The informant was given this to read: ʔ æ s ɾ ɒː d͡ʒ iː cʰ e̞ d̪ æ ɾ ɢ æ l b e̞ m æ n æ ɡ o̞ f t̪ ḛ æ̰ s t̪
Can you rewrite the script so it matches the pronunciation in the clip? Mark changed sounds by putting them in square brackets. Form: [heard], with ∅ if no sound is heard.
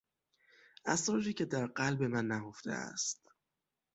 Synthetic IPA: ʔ æ s ɾ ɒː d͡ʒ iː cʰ e̞ d̪ æ ɾ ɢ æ l b e̞ m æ [nː] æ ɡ o̞ f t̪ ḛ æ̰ s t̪